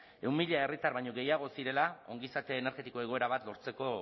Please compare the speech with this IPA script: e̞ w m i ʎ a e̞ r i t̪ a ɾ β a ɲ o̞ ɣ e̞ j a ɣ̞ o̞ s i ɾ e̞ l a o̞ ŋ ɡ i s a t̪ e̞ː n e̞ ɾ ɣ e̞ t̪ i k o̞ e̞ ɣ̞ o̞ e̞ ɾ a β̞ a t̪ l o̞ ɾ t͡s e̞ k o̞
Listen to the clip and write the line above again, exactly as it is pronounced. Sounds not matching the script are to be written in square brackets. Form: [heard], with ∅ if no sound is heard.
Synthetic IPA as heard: e̞ w m i ʎ a e̞ r i t̪ a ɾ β a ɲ o̞ ɣ e̞ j a ɣ̞ o̞ s i ɾ e̞ l a o̞ ŋ ɡ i s a t̪ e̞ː n e̞ ɾ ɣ e̞ t̪ i k o̞ e̞ ɣ̞ o̞ e̞ ɾ a β̞ a t̪ l o̞ ɾ t͡s e̞ k o̞